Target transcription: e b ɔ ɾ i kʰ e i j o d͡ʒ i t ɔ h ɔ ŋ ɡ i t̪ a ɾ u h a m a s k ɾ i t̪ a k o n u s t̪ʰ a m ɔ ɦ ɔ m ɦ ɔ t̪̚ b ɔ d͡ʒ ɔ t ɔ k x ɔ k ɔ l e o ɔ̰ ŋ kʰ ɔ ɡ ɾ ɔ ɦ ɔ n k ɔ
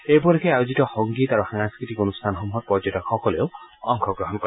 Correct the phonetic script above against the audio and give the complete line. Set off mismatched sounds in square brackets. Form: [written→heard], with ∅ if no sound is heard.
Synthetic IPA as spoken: e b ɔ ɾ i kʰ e [i→a] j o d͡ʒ i t ɔ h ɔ ŋ ɡ i t̪ a ɾ u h a [m→ŋ] a s k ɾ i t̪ [a→i] k o n u s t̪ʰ a [m→n] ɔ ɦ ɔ m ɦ ɔ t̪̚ [b→p] ɔ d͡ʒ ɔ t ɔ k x ɔ k ɔ l e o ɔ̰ ŋ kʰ ɔ ɡ ɾ ɔ ɦ ɔ n k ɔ

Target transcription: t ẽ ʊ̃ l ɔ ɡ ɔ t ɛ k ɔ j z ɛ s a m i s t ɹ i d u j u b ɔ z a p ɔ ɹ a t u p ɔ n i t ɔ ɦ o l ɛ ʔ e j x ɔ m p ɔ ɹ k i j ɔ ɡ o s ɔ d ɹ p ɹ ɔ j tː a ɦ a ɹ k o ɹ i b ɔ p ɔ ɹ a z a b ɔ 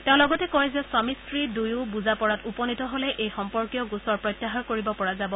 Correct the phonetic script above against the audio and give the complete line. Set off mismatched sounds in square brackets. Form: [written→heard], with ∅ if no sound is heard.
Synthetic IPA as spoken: t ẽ ʊ̃ l ɔ ɡ ɔ t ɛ k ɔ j z ɛ s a m i s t ɹ i d u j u b [ɔ→u] z a p ɔ ɹ a t u p ɔ n i t ɔ ɦ o l ɛ ʔ e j x ɔ m p ɔ ɹ k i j ɔ ɡ [o→u] s ɔ [d→∅] ɹ p ɹ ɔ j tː a ɦ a ɹ k o ɹ i b ɔ p ɔ ɹ a z a b ɔ

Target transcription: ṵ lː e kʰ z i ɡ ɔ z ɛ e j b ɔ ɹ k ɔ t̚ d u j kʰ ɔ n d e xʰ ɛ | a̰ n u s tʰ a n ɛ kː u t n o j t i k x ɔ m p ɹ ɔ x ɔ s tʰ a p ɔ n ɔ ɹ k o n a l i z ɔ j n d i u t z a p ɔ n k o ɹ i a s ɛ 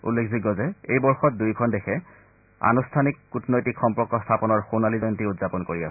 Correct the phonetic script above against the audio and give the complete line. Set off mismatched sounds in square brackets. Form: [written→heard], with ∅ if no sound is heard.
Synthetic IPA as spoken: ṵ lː e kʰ z i ɡ ɔ z ɛ e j b ɔ ɹ [k→x] ɔ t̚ d u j kʰ ɔ n d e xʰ ɛ | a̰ n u s tʰ a n [ɛ→i] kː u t n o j t i k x ɔ m p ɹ ɔ [x→k] ɔ s tʰ a p ɔ n ɔ ɹ [k→x] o n a l i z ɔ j n [d→t] i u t z a p ɔ n k o ɹ i a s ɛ

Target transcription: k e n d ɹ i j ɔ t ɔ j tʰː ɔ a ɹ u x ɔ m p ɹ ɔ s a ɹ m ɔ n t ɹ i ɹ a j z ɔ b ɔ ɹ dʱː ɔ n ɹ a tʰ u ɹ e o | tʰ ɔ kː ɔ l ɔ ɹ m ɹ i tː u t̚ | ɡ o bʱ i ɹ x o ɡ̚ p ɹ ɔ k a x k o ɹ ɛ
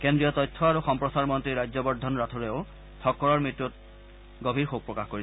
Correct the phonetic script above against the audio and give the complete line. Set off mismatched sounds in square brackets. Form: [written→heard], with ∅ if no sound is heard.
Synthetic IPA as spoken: k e n d ɹ i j ɔ t ɔ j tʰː ɔ a ɹ u x ɔ m p ɹ ɔ s a ɹ m ɔ n t ɹ i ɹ a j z ɔ b ɔ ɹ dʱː ɔ n ɹ a tʰ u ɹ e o | tʰ ɔ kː ɔ [l→ɹ] ɔ ɹ m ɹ i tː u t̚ | ɡ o bʱ i ɹ x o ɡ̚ p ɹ ɔ k a x k o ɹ [ɛ→i]

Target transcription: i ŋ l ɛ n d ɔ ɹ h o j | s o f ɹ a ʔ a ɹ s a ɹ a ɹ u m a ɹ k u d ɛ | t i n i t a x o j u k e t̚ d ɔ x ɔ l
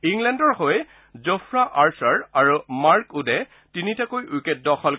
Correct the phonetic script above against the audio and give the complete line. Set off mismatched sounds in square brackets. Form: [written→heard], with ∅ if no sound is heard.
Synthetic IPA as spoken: i ŋ l ɛ n d ɔ ɹ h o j | [s→z] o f ɹ a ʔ a ɹ s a ɹ a ɹ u m a ɹ k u d ɛ | t i n i t a [x→k] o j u k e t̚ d ɔ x ɔ l

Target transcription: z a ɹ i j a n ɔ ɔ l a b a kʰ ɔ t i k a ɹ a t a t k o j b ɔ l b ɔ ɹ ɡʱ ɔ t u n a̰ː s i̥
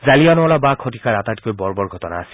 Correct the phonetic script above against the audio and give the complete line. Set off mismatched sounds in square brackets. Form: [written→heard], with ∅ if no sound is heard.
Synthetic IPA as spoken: z a [ɹ→l] i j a n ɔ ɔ l a b a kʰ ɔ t i k a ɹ a t a t k o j b ɔ [l→ɹ] b ɔ ɹ ɡʱ ɔ t [u→ɔ] n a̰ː s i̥

